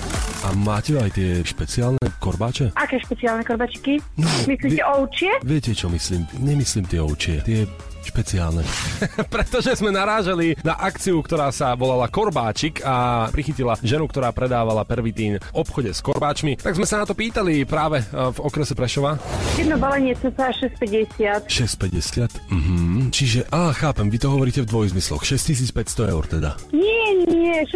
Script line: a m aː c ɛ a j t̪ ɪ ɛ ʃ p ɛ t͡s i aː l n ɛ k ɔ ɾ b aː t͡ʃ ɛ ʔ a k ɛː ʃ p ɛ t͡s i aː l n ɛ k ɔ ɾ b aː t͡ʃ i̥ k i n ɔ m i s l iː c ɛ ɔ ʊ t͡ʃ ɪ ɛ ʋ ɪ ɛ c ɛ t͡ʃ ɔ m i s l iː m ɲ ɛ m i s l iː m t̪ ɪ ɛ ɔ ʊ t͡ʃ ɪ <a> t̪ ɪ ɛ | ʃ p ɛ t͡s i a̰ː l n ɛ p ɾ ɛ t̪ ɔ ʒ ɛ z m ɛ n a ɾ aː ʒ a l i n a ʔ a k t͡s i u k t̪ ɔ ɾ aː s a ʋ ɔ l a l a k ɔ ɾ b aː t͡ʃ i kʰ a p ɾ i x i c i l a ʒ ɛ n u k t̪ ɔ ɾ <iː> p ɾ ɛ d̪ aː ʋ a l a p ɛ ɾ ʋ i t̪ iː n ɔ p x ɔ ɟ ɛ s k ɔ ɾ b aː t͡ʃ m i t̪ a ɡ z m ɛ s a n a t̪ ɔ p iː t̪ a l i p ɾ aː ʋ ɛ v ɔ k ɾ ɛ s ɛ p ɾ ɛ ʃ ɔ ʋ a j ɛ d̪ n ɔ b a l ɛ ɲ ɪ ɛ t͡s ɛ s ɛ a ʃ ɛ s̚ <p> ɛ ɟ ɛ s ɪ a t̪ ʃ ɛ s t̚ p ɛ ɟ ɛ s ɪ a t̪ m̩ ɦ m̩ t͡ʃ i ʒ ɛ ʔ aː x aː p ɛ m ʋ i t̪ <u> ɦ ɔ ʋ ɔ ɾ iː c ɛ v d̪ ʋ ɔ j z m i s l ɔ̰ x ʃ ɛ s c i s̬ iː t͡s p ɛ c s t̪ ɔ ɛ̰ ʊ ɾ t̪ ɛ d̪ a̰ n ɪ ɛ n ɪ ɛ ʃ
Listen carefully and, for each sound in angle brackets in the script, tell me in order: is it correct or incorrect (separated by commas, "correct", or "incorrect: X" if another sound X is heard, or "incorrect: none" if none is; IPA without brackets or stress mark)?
incorrect: ɛ, incorrect: aː, correct, incorrect: ɔ